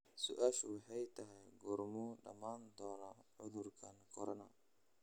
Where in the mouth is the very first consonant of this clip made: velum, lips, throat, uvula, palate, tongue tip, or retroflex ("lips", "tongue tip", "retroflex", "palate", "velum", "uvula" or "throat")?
tongue tip